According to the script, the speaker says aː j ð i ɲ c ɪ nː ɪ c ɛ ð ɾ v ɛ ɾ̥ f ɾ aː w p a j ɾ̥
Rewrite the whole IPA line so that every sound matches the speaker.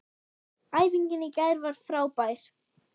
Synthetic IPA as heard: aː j v i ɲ c ɪ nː ɪ c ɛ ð ɾ v a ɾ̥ θ ɾ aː w p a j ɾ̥